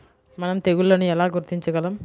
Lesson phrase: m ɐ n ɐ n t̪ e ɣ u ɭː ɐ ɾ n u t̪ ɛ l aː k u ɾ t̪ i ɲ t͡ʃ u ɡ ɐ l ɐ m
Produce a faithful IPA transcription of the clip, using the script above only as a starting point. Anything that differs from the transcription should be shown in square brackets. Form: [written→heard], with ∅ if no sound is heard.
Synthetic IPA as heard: m ɐ n ɐ [n→m] t̪ e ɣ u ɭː ɐ [ɾ→∅] n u [t̪→∅] ɛ l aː [k→ɡ] u ɾ t̪ i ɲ t͡ʃ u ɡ ɐ l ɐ m